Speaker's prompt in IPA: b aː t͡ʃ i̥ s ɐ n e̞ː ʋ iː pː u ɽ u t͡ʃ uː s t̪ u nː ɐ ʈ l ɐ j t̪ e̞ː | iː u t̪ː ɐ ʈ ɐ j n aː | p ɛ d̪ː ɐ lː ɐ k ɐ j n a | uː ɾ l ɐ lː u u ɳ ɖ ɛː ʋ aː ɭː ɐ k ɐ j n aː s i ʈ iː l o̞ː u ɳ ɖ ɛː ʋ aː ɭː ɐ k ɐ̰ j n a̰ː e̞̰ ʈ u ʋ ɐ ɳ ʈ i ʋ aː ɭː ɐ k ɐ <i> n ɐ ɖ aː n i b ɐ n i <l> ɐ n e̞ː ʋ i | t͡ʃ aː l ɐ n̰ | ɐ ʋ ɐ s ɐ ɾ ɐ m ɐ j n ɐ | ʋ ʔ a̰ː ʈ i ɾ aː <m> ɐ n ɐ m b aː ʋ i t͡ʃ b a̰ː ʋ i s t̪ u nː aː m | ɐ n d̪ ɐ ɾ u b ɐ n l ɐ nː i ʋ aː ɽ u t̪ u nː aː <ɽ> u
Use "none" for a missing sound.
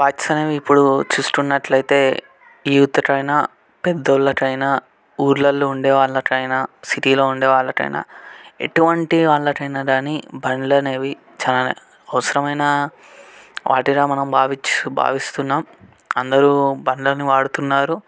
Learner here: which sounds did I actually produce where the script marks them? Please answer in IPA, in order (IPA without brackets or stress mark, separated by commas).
j, l, m, ɾ